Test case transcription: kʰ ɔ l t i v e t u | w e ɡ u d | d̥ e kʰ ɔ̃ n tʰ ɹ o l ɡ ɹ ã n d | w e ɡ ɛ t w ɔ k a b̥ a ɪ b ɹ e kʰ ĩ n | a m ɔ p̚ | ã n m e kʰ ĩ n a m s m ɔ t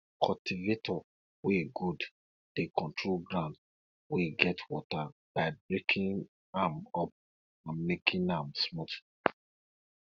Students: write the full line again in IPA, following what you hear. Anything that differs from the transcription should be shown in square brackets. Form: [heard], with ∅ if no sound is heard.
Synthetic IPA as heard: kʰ ɔ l t i v e t [ɔ] | w e ɡ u d | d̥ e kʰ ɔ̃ n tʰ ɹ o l ɡ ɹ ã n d | w e ɡ ɛ t w ɔ [t] a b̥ a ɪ b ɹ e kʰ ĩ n | a m ɔ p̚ | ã n m e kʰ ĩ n a m s m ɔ t